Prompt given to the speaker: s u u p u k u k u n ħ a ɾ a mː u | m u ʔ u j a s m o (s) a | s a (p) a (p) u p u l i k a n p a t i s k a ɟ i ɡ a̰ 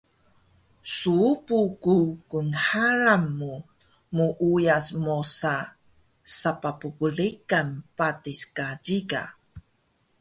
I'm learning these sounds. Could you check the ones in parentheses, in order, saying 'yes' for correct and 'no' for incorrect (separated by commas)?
yes, yes, yes